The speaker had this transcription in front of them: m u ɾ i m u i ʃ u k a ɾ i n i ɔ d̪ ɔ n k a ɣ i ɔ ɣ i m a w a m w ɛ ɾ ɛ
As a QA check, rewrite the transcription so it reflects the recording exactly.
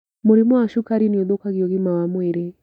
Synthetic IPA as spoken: m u ɾ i m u a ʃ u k a ɾ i n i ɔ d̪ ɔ k a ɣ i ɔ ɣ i m a w a m w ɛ ɾ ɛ